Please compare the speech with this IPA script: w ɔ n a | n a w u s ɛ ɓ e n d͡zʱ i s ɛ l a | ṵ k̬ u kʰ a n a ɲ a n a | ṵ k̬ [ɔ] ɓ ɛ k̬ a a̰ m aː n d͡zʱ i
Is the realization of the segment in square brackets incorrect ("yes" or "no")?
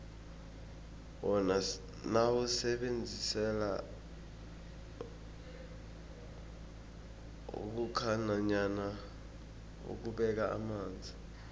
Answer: yes